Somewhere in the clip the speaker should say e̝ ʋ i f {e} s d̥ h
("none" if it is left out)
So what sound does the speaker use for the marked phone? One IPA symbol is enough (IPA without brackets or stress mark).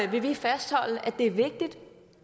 æ